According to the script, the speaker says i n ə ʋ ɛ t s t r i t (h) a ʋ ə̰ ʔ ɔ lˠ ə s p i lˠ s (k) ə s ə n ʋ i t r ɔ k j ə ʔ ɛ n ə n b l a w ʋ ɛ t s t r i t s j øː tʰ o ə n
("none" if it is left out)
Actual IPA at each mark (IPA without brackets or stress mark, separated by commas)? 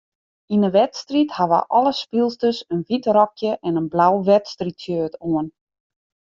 h, t